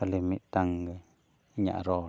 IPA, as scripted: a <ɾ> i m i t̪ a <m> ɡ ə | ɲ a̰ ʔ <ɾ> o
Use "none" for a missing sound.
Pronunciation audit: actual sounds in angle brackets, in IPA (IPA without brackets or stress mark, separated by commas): l, ŋ, ɾ